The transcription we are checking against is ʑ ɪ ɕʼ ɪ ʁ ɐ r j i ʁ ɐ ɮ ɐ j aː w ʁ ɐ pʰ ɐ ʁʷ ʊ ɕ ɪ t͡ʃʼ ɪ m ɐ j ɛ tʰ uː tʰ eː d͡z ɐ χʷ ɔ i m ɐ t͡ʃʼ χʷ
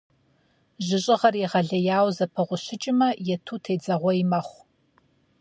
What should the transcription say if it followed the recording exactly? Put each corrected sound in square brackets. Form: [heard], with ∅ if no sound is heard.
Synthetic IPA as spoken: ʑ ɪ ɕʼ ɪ ʁ ɐ r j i ʁ ɐ ɮ ɐ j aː w [z] ɐ pʰ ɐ ʁʷ ʊ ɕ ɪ t͡ʃʼ ɪ m ɐ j ɛ tʰ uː tʰ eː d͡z ɐ [ʁʷ] ɔ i m ɐ [∅] χʷ